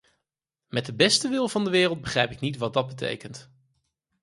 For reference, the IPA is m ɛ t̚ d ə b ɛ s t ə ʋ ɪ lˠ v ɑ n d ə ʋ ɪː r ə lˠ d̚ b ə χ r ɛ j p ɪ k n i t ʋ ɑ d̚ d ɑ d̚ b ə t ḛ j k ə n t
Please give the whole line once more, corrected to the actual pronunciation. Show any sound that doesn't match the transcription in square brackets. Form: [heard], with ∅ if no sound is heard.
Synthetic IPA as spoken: m ɛ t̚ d ə b ɛ s t ə ʋ ɪ lˠ v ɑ n d ə ʋ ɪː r ə lˠ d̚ b ə χ r ɛ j p ɪ k n i t ʋ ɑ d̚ d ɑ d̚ b ə t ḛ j k ə n t